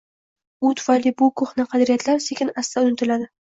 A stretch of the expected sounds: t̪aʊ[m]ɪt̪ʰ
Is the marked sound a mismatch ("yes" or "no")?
yes